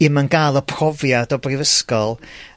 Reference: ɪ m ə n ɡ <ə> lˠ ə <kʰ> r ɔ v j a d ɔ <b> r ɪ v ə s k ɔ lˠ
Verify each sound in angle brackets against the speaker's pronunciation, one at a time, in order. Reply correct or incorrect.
incorrect: a, incorrect: pʰ, correct

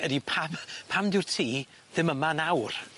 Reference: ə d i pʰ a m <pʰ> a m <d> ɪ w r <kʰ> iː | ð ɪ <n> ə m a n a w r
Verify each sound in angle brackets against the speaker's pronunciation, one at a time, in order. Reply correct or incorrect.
correct, correct, incorrect: tʰ, incorrect: m

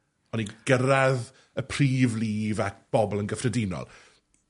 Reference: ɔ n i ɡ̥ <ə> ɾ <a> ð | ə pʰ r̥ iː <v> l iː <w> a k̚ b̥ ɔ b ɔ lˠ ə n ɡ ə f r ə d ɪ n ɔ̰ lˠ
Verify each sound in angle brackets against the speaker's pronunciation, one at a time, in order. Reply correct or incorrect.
correct, correct, correct, incorrect: v

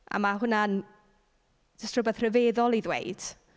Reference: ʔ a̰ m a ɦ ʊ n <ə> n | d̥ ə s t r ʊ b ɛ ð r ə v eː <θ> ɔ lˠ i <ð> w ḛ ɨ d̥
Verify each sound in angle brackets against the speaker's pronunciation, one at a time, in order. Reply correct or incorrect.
incorrect: a, incorrect: ð, correct

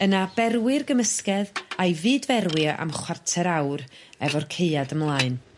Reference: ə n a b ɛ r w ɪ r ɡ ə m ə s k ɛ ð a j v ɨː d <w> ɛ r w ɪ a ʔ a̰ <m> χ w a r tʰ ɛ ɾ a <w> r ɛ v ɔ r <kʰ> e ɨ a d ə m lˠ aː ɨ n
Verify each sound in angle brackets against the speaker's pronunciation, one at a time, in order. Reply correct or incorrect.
incorrect: v, correct, correct, correct

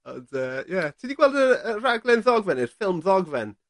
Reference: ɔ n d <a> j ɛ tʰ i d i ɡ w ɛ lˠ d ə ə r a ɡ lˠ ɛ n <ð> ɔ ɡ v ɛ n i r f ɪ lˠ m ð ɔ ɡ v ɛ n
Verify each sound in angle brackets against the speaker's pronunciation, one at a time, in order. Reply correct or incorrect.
incorrect: ə, correct

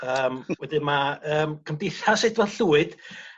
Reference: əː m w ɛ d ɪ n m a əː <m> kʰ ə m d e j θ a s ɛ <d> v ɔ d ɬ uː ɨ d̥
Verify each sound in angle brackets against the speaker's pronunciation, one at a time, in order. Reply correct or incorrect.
correct, correct

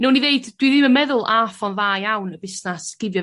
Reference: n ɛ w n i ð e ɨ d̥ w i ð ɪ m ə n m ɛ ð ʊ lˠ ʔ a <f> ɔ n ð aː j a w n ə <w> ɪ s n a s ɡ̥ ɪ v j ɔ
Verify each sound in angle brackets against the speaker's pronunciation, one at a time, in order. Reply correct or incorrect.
correct, incorrect: b

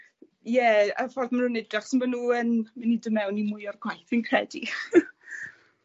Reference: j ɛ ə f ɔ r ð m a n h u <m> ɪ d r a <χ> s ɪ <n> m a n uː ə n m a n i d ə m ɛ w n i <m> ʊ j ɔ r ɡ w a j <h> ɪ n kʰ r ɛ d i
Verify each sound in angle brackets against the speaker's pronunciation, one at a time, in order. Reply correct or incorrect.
incorrect: n, correct, correct, correct, incorrect: θ

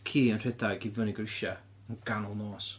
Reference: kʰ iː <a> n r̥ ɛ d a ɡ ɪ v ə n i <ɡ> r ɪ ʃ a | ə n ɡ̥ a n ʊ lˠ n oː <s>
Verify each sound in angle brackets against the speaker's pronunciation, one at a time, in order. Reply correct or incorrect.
incorrect: ə, correct, correct

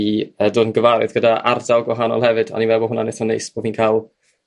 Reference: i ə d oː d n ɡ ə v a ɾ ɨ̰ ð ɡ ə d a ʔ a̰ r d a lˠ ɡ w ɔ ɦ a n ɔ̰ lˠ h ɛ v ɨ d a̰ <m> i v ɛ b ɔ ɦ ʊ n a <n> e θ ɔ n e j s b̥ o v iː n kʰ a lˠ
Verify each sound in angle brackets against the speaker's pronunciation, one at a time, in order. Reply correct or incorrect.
incorrect: n, correct

